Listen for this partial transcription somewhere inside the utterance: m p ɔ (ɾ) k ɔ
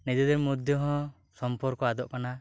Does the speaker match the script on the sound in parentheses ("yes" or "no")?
yes